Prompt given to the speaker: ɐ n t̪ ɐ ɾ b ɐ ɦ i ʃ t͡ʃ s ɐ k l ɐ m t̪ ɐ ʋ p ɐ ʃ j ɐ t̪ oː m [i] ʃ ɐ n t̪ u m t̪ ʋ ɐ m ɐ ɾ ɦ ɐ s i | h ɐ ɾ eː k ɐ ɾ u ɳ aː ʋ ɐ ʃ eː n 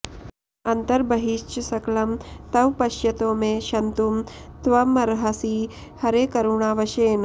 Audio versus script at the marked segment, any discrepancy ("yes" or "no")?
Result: yes